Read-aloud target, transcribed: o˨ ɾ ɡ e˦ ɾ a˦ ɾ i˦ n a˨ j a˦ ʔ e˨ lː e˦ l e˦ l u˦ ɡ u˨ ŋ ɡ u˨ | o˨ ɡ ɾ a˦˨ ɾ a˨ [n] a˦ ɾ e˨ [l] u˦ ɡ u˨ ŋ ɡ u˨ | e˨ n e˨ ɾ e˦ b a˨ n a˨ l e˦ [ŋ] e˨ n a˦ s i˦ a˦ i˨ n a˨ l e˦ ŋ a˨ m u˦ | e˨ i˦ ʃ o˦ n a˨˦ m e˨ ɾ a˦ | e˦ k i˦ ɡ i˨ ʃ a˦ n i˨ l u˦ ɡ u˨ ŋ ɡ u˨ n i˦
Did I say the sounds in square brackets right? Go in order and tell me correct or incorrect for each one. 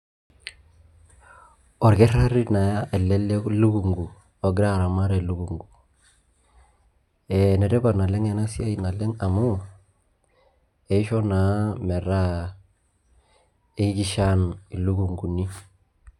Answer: incorrect: m, correct, correct

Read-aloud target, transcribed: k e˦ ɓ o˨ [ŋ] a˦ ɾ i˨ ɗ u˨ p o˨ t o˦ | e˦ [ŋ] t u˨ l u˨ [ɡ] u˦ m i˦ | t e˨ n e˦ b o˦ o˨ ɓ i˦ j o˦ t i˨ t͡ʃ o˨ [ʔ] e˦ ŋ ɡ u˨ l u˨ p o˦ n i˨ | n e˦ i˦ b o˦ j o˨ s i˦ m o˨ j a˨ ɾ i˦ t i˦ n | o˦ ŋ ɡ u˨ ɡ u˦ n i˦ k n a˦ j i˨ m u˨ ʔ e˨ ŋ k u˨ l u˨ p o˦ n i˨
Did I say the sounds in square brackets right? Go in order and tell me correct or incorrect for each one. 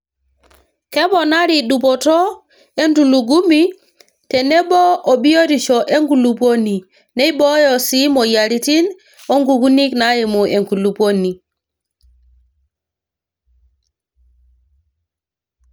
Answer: incorrect: n, incorrect: n, correct, correct

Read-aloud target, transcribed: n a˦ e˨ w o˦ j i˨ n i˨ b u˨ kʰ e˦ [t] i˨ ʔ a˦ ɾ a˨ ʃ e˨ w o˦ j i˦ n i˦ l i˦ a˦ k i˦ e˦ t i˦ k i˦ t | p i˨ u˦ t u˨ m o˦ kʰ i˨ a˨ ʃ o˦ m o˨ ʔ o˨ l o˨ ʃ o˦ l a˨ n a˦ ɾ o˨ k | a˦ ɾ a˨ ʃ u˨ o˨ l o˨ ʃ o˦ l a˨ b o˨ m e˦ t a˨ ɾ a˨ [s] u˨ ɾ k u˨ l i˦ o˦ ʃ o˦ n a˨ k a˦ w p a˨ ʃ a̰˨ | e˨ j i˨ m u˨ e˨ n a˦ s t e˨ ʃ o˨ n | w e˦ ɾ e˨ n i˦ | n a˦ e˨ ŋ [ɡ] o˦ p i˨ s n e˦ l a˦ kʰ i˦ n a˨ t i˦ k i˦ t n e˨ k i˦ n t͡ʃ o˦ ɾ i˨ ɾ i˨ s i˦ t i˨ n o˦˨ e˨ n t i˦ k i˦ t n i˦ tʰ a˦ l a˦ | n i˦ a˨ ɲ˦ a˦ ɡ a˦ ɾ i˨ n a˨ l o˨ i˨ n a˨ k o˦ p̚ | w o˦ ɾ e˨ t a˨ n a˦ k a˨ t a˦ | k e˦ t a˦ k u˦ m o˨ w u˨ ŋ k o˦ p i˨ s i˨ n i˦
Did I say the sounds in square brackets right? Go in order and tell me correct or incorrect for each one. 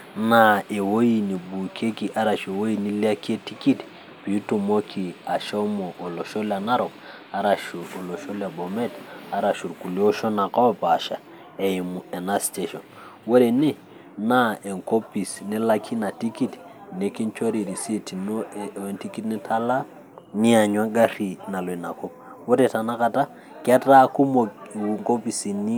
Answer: incorrect: k, incorrect: ʃ, incorrect: k

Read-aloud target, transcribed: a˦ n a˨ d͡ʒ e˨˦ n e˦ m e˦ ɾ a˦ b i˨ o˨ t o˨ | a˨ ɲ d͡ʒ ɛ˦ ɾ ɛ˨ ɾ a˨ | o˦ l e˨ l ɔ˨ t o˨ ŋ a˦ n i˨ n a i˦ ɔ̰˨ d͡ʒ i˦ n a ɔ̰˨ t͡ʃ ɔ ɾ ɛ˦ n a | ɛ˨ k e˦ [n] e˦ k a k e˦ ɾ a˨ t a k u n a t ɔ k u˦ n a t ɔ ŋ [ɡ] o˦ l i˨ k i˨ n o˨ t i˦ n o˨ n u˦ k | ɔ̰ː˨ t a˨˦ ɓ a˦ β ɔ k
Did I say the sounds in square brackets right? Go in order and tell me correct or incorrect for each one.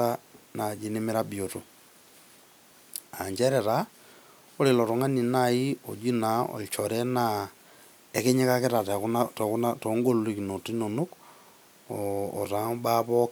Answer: incorrect: ɲ, correct

